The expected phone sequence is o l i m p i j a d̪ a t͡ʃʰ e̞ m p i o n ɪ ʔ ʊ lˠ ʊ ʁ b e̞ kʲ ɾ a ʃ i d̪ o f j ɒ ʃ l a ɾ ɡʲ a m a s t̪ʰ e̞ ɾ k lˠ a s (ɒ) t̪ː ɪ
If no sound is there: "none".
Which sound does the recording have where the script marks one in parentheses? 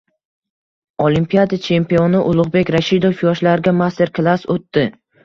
o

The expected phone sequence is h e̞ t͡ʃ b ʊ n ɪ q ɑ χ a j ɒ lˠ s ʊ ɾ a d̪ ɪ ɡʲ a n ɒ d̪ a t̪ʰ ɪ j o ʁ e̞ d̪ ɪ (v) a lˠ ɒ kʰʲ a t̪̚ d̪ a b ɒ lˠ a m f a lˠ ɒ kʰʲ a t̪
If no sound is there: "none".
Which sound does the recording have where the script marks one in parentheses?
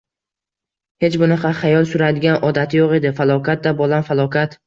f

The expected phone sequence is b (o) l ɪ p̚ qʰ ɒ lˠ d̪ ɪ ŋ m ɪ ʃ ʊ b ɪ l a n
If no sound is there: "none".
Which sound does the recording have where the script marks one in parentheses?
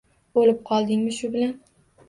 o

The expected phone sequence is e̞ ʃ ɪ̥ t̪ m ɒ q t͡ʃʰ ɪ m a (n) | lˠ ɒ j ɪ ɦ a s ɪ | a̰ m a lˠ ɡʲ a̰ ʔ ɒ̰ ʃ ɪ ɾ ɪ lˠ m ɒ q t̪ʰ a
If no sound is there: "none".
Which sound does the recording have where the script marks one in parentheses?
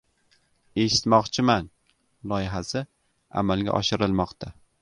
n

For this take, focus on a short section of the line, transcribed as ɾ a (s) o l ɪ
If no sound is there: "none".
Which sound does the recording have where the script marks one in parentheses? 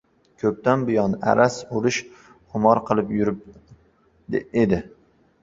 s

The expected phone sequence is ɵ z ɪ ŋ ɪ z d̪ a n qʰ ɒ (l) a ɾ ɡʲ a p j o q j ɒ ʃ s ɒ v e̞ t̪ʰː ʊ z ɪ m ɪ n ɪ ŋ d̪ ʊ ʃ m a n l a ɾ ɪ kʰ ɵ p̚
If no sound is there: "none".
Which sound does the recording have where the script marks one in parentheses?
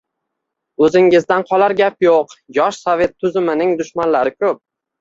l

